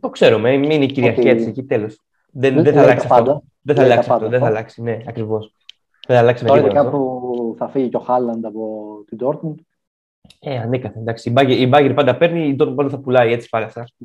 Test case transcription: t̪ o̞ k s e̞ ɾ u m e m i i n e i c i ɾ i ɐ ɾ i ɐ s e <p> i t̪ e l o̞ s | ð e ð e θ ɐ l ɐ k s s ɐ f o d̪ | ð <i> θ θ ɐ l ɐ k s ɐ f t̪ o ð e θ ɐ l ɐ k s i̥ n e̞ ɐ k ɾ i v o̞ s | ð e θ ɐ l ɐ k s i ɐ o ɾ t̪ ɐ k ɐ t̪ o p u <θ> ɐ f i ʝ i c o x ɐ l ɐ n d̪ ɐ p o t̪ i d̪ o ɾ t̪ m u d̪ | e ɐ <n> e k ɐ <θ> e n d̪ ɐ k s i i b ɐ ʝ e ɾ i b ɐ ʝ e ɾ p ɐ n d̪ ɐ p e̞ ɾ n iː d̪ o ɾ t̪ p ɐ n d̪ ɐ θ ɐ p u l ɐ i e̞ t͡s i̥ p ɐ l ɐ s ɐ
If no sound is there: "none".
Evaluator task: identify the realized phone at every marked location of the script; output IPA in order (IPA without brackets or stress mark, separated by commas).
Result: c, e, θ, n, θ